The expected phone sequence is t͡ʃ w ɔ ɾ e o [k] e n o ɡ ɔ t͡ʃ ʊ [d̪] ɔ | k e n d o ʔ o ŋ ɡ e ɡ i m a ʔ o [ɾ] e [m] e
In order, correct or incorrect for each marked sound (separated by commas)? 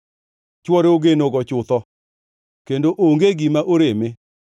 incorrect, incorrect, correct, correct